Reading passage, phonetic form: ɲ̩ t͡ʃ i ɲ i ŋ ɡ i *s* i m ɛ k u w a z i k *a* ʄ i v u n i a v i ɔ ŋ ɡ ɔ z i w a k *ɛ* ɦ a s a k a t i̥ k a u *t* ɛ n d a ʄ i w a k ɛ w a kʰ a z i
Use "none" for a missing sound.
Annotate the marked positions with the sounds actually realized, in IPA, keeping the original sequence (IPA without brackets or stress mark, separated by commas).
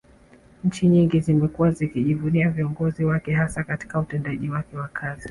z, i, ɛ, t